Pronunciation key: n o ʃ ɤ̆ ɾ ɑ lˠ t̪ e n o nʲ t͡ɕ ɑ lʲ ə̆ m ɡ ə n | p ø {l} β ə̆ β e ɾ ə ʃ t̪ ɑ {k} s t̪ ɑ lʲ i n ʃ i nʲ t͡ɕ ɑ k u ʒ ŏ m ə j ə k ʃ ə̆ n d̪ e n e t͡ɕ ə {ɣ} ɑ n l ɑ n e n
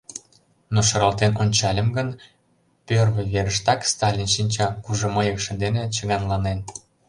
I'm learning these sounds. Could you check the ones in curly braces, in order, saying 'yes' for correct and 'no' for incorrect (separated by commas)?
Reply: no, yes, yes